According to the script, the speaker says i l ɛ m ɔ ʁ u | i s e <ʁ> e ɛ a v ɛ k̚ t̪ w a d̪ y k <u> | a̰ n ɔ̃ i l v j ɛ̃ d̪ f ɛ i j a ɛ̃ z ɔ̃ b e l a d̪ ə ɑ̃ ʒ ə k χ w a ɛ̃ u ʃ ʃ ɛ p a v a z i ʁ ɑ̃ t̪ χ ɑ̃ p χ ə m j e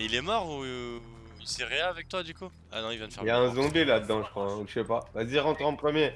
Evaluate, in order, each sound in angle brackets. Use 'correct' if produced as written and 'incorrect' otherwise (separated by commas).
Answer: correct, correct